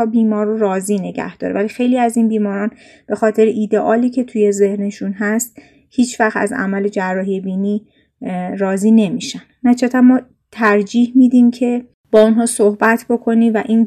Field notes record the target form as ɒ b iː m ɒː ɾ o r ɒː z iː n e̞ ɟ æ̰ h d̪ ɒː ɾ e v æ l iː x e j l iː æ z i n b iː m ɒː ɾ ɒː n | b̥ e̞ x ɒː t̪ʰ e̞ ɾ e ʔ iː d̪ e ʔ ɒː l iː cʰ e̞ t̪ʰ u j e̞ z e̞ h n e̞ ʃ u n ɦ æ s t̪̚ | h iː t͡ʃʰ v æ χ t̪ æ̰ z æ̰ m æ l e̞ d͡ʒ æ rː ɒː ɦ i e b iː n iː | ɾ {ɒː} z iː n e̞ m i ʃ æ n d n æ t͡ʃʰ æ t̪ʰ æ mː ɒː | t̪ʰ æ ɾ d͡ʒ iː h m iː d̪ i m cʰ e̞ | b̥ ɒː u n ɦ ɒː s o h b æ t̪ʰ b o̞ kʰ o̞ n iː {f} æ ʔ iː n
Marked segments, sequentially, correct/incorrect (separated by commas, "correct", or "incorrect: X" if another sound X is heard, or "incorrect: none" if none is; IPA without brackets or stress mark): correct, incorrect: v